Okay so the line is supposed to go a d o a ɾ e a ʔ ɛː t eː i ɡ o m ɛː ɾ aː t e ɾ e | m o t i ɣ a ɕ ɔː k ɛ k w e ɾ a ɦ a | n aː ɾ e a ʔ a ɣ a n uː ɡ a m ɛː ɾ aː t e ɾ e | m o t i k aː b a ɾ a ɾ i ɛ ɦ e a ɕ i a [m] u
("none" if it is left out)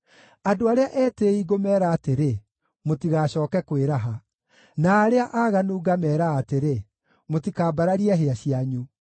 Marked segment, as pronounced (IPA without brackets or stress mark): ɲ